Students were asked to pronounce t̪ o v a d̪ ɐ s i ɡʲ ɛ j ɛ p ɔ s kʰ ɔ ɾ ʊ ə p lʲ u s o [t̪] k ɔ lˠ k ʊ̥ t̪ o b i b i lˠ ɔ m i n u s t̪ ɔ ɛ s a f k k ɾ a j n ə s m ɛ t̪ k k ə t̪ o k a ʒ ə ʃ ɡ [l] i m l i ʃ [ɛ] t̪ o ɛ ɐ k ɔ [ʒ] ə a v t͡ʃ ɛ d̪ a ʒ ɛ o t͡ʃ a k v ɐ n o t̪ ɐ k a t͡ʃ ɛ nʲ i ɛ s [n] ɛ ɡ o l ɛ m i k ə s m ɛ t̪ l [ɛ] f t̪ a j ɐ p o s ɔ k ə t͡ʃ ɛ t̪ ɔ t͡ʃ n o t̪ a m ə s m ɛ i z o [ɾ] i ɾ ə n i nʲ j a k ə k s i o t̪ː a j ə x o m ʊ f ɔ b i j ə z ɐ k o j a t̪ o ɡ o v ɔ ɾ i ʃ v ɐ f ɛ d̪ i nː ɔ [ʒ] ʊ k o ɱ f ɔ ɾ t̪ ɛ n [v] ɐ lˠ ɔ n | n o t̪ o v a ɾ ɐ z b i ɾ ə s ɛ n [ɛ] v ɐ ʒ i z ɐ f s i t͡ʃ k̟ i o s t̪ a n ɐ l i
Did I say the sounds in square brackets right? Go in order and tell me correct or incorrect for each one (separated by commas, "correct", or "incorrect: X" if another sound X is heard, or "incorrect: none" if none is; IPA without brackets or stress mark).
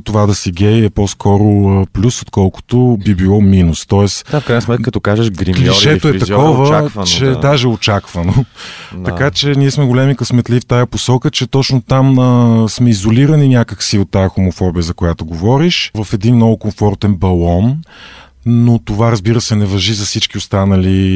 correct, incorrect: ɾ, correct, incorrect: v, incorrect: m, incorrect: i, incorrect: l, incorrect: v, incorrect: b, correct